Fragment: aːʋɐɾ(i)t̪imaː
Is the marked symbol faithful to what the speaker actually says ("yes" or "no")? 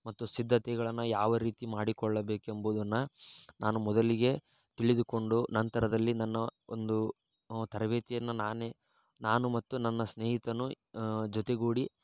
no